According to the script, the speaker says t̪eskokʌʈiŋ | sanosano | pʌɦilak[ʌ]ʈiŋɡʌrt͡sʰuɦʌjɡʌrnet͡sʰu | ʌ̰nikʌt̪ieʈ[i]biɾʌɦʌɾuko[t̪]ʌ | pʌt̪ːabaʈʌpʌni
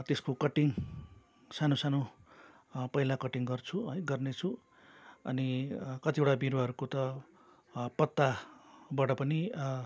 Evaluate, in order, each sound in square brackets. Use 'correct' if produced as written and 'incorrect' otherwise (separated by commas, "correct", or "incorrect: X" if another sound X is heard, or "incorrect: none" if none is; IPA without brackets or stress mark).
correct, incorrect: a, correct